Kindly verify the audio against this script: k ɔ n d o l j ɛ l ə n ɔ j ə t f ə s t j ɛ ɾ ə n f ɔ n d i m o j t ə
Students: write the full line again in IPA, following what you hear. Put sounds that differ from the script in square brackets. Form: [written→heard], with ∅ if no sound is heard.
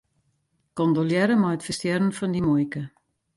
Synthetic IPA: k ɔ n d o l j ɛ [l→ɾ] ə [n→m] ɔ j ə t f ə s t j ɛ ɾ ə n f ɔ n d i m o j [t→k] ə